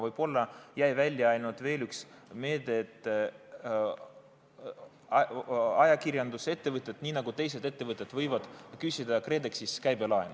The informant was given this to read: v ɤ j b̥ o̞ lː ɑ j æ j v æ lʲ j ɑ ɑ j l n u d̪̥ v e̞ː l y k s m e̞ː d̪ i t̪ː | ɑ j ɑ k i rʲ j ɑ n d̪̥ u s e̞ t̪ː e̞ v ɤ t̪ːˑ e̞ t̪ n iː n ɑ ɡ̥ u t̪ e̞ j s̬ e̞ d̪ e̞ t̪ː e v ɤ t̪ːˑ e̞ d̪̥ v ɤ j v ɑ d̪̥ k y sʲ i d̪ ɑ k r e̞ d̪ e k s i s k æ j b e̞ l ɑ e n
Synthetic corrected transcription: v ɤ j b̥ o̞ lː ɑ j æ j v æ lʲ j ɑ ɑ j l n u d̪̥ v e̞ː l y k s m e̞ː d̪ e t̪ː | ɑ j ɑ k i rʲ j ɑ n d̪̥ u s e̞ t̪ː e̞ v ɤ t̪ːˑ e̞ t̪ n iː n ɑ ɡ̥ u t̪ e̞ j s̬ e̞ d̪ e̞ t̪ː e v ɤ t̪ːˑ e̞ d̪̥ v ɤ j v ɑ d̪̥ k y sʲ i d̪ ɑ k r e̞ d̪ e k s i s k æ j b e̞ l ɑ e n